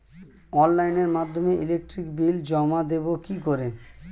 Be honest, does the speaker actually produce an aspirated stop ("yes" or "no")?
no